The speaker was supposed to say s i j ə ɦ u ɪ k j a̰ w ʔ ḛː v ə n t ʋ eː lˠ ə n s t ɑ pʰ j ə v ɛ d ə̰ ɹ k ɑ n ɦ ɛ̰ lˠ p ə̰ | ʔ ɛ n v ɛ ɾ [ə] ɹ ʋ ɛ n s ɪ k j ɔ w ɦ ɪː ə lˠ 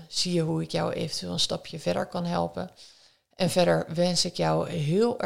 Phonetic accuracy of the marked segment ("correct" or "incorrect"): correct